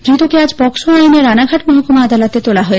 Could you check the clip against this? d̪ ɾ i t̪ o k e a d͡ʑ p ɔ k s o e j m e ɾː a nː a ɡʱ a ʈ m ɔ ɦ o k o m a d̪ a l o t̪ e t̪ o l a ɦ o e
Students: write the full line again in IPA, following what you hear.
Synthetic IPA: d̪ ɾ i t̪ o k e a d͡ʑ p ɔ k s o a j n e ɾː a n a ɡʱ a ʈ m ɔ ɦ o k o m a d̪ a l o t̪ e t̪ o l a ɦ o e